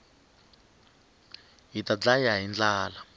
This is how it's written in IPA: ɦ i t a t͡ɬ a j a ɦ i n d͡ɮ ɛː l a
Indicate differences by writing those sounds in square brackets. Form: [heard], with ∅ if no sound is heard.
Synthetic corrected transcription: ɦ i t a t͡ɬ a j a ɦ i n d͡ɮ [aː] l a